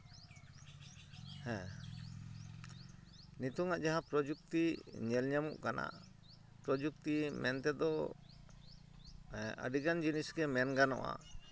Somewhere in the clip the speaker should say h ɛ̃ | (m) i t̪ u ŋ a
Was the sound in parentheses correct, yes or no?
no